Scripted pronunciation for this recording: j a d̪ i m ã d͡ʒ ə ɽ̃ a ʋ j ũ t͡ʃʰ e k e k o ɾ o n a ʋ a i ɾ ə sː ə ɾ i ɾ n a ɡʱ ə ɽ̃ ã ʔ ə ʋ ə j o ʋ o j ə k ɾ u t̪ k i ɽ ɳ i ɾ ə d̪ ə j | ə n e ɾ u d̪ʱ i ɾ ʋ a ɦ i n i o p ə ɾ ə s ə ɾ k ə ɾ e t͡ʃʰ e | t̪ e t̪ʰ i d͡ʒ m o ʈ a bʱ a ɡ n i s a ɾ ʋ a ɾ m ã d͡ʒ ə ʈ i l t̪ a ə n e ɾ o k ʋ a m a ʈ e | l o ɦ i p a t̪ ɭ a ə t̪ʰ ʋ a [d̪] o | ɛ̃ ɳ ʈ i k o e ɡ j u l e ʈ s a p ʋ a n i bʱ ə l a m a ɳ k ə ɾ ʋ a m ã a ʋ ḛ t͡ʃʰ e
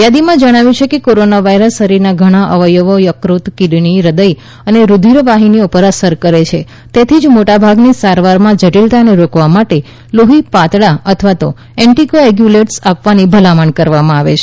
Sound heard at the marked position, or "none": t̪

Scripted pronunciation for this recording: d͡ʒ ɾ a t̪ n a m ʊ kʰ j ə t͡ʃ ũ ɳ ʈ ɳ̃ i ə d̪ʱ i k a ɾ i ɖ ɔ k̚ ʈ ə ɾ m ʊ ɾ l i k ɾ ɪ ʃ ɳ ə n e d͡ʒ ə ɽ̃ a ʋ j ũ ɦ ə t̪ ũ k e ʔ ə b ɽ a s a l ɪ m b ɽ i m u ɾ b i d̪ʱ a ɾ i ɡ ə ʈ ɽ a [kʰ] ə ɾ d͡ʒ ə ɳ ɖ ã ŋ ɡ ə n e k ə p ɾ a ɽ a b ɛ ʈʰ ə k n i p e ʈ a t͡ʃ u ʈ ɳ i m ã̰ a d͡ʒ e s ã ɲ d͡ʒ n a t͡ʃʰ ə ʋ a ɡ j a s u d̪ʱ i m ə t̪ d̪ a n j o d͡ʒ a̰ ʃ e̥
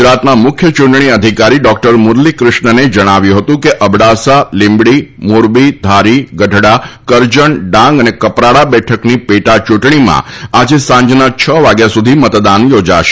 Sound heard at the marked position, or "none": k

